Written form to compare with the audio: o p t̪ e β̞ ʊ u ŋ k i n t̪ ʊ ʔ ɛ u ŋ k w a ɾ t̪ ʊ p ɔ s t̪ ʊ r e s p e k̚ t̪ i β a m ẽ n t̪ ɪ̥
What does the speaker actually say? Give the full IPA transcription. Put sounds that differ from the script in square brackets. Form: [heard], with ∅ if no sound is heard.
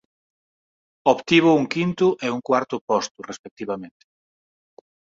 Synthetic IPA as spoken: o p t̪ [i] β̞ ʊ u ŋ k i n t̪ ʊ ʔ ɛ u ŋ k w a ɾ t̪ ʊ p ɔ s t̪ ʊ r e s p e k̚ t̪ i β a m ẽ n t̪ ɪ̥